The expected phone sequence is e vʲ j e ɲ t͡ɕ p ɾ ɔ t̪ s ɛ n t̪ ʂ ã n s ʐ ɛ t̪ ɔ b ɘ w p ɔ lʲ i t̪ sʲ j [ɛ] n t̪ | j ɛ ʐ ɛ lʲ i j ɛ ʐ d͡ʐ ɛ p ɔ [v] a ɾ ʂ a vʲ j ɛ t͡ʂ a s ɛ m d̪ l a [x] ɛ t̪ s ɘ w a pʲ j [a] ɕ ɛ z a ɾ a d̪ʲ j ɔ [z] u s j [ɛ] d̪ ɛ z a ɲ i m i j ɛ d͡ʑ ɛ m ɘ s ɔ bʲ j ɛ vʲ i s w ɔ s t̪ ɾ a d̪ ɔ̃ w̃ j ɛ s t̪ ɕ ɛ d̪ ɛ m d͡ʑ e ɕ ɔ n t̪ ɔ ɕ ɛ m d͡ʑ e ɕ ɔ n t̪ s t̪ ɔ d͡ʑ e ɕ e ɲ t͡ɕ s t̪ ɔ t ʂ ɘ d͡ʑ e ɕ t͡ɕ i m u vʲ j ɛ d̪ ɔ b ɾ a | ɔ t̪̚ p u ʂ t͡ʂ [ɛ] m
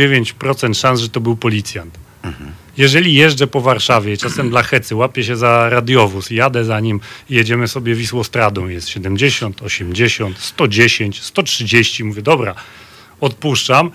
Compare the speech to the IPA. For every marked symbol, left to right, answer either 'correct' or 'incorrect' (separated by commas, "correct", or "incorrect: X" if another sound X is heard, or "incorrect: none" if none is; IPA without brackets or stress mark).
incorrect: a, correct, correct, incorrect: ɛ, incorrect: v, incorrect: a, incorrect: a